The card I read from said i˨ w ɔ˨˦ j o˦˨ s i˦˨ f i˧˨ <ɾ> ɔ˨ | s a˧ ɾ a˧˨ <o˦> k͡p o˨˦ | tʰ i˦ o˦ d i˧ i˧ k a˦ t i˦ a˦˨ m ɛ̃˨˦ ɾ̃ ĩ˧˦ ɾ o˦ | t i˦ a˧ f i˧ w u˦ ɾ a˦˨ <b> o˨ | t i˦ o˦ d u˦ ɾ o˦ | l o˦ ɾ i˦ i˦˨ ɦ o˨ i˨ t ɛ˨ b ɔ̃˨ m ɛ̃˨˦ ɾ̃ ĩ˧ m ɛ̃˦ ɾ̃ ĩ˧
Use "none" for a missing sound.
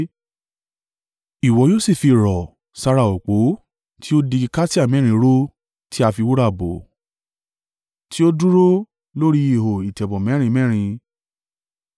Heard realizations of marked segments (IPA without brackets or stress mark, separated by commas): ɾ, o˨, b